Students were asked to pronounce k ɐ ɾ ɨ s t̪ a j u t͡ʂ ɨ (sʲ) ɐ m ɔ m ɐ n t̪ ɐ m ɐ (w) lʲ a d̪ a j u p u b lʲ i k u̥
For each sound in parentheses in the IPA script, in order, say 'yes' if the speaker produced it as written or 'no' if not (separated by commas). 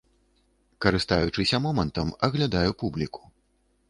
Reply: yes, no